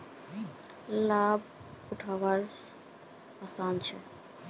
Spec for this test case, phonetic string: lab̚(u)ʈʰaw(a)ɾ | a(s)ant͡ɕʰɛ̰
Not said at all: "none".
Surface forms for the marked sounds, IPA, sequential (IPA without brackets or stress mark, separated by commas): u, a, s